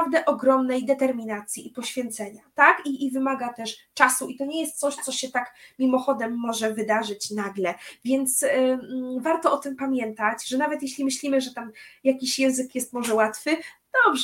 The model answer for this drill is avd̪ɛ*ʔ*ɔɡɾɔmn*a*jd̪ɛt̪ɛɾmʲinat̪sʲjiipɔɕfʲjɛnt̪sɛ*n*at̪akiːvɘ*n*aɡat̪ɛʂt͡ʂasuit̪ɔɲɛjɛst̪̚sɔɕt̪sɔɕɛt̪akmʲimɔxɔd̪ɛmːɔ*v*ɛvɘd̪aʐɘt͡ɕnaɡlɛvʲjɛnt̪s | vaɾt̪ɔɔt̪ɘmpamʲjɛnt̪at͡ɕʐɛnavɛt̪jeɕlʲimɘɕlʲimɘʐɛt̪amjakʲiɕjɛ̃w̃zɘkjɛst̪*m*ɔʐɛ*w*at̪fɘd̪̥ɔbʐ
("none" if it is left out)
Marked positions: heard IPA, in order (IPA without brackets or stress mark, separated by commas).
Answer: ʔ, ɛ, ɲ, m, ʐ, m, w